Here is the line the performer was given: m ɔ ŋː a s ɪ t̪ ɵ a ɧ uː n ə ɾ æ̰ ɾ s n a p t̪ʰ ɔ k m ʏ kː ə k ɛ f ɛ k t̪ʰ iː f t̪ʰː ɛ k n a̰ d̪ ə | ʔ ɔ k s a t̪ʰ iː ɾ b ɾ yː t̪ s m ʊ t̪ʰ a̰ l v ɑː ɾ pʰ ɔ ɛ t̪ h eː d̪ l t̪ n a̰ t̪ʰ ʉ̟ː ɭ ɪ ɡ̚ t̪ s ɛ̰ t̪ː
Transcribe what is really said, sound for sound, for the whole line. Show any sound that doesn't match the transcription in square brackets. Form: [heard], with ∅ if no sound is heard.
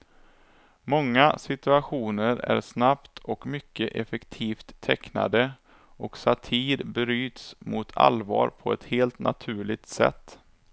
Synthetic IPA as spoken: m ɔ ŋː a s ɪ t̪ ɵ a ɧ uː n ə ɾ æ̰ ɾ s n a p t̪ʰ ɔ k m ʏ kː ə [ʔ] ɛ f ɛ k t̪ʰ iː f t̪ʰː ɛ k n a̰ d̪ ə | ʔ ɔ k s a t̪ʰ iː ɾ b ɾ yː t̪ s m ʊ t̪ʰ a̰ l v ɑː ɾ pʰ ɔ ɛ t̪ h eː [∅] l t̪ n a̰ t̪ʰ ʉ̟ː ɭ ɪ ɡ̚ t̪ s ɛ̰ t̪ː